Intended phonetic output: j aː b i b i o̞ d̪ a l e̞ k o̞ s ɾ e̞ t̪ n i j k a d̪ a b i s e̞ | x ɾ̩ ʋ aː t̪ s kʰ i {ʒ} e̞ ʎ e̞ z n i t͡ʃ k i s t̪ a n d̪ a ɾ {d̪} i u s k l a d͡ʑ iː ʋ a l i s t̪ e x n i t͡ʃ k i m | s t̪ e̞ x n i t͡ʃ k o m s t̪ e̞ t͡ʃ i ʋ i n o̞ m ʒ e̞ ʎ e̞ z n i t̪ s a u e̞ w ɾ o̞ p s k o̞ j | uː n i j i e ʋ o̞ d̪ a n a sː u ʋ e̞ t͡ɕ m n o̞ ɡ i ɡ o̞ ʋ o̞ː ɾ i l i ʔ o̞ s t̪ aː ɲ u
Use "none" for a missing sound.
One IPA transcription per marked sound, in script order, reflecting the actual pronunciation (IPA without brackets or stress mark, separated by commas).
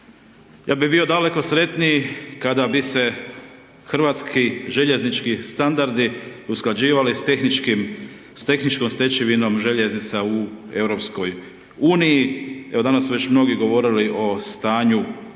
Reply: ʒ, d̪